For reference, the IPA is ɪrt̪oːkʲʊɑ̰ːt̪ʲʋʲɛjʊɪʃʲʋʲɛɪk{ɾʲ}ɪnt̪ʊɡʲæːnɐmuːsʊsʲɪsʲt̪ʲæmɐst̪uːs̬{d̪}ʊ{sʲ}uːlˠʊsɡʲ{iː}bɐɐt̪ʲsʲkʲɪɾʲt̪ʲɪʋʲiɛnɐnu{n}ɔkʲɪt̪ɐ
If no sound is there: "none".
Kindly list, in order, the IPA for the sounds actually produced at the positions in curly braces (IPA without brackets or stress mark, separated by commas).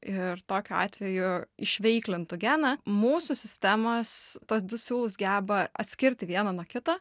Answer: lʲ, d̪, sʲ, æː, none